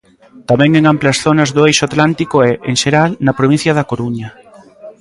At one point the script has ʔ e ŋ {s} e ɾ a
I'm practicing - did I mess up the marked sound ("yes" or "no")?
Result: yes